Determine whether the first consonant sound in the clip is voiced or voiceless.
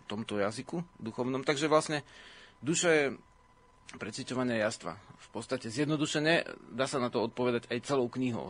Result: voiceless